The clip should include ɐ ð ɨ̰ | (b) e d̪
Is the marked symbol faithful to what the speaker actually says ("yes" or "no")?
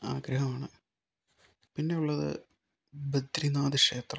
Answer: yes